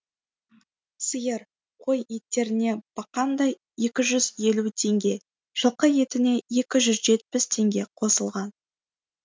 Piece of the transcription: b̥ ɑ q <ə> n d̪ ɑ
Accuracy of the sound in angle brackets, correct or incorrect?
incorrect: ɑ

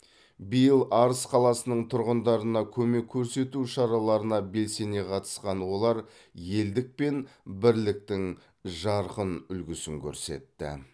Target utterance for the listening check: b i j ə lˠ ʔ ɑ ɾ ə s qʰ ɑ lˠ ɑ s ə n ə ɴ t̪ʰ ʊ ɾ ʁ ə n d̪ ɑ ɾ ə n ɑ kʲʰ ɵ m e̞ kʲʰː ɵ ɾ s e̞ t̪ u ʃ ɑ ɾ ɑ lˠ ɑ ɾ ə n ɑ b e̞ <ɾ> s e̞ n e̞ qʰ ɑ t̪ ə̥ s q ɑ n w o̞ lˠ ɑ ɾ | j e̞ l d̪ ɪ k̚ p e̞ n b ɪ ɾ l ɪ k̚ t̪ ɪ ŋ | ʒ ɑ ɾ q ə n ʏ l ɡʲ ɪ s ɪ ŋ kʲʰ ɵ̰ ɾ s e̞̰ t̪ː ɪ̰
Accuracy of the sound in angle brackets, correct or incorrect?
incorrect: l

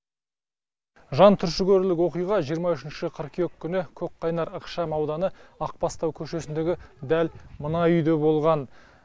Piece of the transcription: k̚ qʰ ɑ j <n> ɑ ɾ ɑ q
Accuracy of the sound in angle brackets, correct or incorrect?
correct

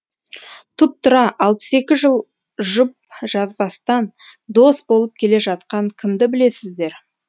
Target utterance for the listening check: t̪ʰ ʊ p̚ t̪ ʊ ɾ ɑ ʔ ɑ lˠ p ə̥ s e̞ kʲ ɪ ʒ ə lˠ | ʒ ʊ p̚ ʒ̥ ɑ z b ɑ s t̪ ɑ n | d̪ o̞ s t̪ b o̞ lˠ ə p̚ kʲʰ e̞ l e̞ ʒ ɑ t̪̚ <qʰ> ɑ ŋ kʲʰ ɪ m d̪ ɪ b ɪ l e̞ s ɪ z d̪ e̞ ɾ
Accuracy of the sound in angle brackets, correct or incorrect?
incorrect: q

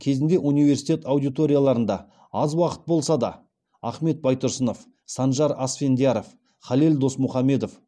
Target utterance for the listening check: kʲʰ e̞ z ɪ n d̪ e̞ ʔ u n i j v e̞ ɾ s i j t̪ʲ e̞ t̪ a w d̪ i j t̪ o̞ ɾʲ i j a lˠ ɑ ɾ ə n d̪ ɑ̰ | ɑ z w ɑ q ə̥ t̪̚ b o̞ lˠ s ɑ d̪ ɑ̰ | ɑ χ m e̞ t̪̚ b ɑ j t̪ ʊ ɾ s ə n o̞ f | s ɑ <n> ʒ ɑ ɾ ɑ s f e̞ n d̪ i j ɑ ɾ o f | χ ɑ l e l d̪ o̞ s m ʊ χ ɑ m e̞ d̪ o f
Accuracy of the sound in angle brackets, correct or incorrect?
correct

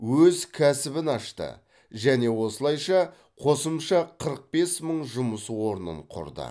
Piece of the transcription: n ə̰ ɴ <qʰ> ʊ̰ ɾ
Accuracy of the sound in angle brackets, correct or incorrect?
correct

